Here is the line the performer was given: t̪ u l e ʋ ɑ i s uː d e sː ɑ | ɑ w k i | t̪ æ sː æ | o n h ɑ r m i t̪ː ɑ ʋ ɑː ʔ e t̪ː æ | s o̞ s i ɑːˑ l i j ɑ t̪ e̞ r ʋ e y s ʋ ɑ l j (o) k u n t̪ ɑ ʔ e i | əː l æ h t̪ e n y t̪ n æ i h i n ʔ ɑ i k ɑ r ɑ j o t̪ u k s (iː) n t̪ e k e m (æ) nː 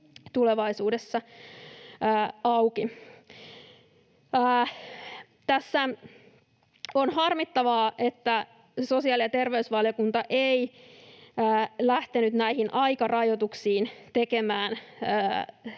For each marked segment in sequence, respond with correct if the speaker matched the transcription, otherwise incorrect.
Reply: correct, correct, incorrect: æː

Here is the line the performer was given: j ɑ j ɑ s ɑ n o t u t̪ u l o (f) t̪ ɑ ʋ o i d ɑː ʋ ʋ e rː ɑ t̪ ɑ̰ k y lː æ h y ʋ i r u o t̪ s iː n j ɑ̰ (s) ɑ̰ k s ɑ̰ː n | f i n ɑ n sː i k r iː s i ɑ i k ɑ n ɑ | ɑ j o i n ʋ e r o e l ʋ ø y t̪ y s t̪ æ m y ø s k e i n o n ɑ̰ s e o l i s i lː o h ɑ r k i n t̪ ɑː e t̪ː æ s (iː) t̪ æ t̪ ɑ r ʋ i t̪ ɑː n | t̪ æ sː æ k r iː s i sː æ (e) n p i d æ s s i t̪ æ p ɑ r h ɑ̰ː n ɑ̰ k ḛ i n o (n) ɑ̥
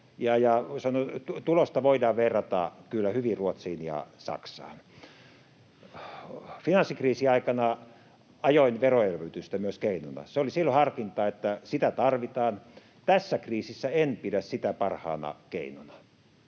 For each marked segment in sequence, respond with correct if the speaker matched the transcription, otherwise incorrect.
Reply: incorrect: s, correct, incorrect: i, correct, correct

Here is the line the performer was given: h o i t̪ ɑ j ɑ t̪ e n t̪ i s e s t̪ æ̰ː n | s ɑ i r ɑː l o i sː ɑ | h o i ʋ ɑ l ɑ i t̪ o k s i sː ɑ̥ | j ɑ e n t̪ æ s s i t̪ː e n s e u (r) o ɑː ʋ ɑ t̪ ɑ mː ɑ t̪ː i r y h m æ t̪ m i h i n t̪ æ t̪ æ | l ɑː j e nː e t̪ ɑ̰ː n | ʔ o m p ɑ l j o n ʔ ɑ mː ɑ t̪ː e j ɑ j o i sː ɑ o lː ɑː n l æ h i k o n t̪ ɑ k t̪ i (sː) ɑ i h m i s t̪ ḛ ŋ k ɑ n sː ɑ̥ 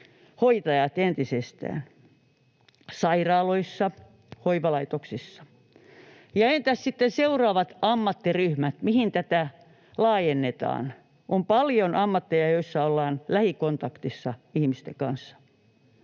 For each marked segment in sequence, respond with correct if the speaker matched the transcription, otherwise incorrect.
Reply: correct, correct

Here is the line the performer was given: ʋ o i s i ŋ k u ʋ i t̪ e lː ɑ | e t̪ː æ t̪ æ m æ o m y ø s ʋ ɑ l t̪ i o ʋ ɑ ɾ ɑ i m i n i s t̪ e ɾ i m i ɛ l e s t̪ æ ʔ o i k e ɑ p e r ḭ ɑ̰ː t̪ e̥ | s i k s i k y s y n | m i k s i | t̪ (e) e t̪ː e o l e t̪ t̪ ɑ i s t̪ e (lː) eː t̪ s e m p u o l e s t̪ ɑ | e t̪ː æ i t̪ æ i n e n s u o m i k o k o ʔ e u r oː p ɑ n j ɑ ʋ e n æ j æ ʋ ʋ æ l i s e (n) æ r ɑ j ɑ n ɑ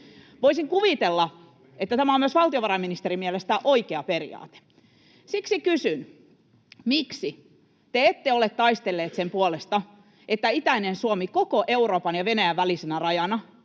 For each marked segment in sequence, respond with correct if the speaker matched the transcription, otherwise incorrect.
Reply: correct, correct, correct

